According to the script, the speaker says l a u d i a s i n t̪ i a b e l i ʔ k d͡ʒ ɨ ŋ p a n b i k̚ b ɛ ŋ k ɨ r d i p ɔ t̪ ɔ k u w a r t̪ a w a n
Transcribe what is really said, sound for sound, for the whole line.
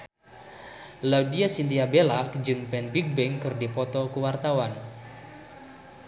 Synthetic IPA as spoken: l a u d i a s i n t̪ i a b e l a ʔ k d͡ʒ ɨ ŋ p ɛ n b i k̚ b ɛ ŋ k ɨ r d i p ɔ t̪ ɔ k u w a r t̪ a w a n